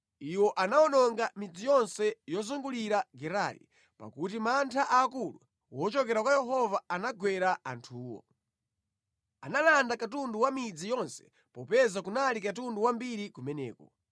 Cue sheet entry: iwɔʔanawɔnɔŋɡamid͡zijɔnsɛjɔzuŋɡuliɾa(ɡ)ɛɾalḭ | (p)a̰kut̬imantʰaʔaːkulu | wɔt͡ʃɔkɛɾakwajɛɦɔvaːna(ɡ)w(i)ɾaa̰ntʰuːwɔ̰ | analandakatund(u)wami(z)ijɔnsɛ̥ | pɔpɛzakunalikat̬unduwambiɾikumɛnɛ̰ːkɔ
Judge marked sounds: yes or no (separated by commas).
yes, yes, yes, no, yes, no